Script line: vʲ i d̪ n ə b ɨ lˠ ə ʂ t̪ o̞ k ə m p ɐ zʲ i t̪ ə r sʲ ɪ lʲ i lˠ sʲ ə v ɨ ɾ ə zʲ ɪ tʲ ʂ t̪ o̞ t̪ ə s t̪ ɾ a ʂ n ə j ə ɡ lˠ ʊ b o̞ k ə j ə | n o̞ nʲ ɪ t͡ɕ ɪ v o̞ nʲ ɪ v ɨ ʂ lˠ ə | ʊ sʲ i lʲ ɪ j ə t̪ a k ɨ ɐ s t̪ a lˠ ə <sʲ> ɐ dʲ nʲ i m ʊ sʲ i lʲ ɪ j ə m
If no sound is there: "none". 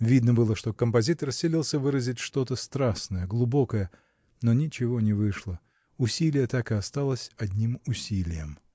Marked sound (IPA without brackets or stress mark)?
sʲ